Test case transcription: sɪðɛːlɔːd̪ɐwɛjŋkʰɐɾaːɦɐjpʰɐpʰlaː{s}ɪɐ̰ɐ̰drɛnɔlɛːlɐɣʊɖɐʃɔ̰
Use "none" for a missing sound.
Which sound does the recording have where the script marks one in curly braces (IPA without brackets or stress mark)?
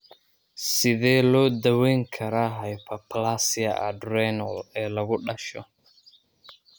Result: s